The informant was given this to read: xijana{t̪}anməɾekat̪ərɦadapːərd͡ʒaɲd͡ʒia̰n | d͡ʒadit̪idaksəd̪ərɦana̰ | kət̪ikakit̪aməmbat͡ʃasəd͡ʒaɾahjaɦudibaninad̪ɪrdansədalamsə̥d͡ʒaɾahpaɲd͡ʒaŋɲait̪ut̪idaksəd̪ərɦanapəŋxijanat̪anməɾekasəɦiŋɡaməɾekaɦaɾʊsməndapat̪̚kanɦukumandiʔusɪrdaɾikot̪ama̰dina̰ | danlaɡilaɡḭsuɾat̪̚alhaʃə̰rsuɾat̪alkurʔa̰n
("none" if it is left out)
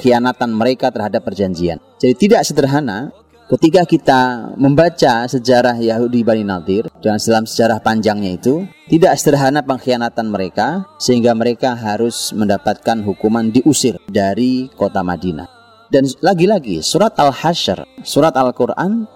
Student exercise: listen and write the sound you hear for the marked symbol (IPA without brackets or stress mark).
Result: t̪